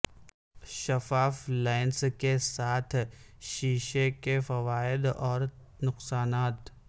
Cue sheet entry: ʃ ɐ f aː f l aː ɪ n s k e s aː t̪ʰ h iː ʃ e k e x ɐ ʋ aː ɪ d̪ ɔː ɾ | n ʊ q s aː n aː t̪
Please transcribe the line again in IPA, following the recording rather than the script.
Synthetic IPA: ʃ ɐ f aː f l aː ɪ n s k e s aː t̪ʰ ʃ iː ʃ e k e f ɐ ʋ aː ɪ d̪ ɔː ɾ | n ʊ q s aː n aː t̪